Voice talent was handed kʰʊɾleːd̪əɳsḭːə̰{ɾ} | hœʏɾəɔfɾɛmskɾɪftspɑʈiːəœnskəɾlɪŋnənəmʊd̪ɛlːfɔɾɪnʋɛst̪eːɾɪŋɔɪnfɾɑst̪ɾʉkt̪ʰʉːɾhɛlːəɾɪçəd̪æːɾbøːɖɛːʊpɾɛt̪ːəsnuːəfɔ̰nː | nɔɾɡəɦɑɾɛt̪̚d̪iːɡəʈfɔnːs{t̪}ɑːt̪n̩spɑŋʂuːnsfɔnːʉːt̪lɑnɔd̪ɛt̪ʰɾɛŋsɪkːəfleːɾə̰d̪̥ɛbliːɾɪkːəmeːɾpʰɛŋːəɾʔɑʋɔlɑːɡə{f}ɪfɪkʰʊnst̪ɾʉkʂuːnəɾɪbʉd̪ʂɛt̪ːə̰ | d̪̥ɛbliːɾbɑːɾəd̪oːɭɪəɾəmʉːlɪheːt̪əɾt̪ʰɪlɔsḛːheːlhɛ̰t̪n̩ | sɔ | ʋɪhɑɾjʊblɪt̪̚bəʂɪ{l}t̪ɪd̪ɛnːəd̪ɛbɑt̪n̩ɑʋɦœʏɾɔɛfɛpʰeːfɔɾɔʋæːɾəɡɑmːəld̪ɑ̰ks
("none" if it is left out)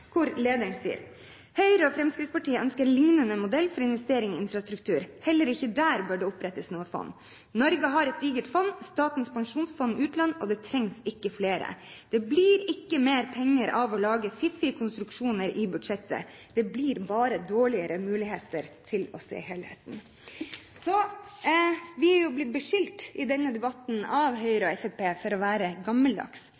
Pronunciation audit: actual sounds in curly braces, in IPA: ɾ, t̪, f, l

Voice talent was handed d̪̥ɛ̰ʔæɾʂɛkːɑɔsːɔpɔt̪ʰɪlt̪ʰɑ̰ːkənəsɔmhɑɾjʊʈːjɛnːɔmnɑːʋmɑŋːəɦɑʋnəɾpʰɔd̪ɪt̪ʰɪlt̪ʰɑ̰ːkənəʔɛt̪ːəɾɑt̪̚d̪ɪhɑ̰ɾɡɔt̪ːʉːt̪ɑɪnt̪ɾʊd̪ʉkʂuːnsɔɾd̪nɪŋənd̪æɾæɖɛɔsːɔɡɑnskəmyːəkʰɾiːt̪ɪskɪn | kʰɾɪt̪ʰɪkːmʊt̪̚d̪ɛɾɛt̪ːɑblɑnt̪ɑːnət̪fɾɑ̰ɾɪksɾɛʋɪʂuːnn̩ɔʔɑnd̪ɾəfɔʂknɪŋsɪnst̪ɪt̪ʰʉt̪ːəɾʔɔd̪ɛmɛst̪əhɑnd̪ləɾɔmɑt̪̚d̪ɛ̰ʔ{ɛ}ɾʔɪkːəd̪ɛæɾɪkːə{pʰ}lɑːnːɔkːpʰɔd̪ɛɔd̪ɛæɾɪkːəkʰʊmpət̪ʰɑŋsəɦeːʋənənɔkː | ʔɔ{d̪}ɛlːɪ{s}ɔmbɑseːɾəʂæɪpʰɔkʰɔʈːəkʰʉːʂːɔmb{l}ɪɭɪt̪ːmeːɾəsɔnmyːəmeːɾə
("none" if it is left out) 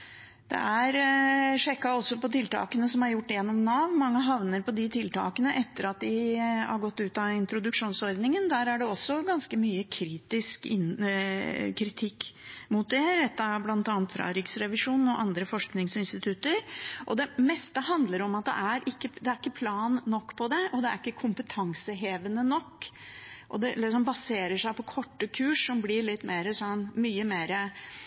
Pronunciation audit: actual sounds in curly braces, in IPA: æ, pʰ, d̪, s, l

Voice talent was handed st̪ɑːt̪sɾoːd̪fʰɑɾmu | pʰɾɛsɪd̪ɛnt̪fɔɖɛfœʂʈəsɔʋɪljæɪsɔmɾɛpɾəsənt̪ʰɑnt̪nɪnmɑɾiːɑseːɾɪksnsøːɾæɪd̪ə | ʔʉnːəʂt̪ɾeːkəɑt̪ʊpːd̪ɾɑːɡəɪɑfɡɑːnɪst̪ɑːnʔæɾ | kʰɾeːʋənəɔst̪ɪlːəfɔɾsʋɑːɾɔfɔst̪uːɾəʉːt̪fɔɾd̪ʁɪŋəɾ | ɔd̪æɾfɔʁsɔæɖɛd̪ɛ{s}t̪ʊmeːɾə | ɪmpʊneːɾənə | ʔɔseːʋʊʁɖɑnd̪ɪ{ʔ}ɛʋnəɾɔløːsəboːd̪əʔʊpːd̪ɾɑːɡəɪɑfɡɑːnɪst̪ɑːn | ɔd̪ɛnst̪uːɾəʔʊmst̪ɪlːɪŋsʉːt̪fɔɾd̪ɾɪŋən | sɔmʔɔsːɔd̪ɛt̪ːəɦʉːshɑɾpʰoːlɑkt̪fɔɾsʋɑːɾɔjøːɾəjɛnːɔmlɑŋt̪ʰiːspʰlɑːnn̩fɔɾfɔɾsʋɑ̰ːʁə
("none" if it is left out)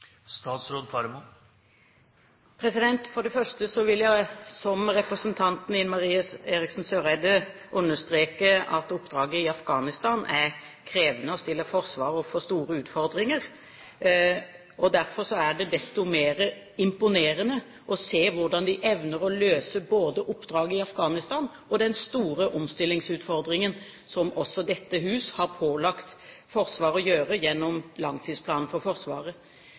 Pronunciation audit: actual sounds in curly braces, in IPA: s, ʔ

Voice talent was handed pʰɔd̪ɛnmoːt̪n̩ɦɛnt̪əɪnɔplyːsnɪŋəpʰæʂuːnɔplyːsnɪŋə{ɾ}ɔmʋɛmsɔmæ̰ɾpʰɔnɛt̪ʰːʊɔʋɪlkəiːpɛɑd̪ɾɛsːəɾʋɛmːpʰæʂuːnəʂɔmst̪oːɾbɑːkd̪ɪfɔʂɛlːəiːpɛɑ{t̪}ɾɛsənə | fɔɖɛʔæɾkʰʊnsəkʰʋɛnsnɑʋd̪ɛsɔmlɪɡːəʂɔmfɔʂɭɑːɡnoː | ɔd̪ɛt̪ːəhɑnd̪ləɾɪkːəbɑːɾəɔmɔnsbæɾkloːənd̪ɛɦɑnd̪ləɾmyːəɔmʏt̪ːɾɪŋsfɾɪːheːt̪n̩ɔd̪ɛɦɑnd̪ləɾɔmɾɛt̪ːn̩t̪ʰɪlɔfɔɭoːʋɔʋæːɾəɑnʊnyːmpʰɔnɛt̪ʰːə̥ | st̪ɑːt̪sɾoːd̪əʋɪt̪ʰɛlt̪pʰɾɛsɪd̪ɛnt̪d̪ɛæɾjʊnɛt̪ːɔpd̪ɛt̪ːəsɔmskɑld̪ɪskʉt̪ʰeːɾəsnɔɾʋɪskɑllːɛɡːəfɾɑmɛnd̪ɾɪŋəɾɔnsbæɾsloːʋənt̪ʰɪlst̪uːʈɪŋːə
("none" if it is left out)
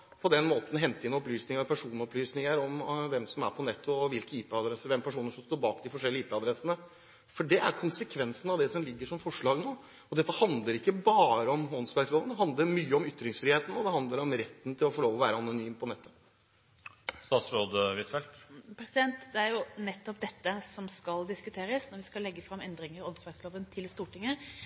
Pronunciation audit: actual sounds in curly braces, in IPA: ɾ, d̪

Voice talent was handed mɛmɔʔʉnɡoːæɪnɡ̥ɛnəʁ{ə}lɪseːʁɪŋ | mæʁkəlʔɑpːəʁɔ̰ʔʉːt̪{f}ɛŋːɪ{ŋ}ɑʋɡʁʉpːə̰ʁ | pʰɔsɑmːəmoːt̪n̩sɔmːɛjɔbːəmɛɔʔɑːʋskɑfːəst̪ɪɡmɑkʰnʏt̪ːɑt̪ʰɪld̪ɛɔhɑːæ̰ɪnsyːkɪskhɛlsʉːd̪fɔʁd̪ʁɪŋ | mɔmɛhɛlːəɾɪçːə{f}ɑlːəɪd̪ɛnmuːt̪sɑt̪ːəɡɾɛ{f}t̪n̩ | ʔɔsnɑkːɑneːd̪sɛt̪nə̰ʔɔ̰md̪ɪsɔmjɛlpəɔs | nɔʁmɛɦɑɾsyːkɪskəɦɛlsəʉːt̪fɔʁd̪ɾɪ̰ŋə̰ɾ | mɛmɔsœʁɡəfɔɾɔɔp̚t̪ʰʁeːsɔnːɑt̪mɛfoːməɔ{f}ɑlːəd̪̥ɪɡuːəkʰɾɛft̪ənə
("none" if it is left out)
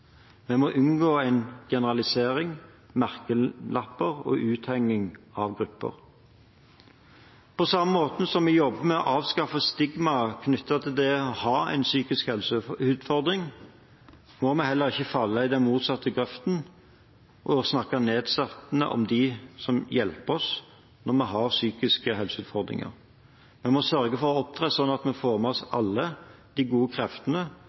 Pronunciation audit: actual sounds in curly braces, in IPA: ɑ, h, ŋ, f, f, s

